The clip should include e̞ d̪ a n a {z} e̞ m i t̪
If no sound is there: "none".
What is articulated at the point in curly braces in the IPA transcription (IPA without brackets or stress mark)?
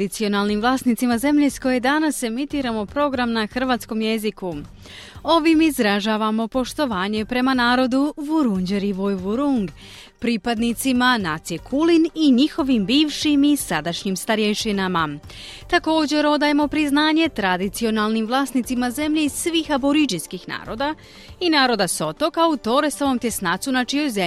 s